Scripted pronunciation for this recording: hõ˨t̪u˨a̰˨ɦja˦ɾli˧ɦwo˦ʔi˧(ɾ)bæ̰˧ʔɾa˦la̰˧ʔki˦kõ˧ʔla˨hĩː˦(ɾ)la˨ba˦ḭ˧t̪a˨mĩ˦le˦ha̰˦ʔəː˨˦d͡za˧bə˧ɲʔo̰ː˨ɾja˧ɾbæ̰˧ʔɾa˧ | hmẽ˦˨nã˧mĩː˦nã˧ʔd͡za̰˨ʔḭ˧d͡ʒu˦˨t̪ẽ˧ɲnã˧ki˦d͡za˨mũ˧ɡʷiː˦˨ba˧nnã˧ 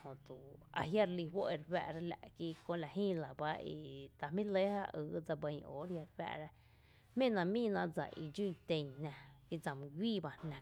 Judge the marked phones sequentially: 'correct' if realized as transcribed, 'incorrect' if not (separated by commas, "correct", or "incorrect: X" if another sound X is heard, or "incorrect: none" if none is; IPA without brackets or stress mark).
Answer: correct, incorrect: none